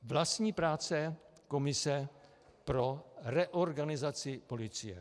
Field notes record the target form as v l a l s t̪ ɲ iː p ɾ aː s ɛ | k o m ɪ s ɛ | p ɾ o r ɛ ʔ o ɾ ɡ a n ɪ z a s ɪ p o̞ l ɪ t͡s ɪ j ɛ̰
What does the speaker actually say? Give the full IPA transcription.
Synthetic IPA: v l a s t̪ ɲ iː p ɾ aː t͡s ɛ | k o m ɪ s ɛ | p ɾ o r ɛ ʔ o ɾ ɡ a n ɪ z a t͡s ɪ p o̞ l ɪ t͡s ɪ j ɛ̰